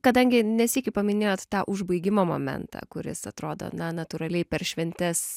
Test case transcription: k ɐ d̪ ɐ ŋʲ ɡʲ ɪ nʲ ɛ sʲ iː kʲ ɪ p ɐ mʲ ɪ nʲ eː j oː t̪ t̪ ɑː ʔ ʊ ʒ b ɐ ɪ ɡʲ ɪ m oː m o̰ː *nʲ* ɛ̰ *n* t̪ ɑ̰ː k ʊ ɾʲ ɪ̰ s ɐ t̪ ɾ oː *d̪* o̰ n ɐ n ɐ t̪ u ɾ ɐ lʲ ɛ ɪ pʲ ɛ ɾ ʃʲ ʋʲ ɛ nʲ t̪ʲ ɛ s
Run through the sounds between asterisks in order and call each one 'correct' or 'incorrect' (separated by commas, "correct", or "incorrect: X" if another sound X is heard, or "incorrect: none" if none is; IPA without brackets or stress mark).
incorrect: mʲ, correct, correct